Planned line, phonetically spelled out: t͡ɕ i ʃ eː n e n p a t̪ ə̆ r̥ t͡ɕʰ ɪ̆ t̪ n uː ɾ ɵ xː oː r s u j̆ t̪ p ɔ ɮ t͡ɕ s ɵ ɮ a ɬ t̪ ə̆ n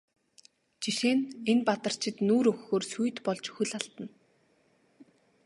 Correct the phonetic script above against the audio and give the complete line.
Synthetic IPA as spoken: t͡ɕ i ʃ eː n e n p a t̪ ə̆ r̥ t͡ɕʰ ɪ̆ t̪ n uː ɾ ɵ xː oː r s u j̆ t̪ p ɔ ɮ t͡ɕ x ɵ ɮ a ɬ t̪ ə̆ n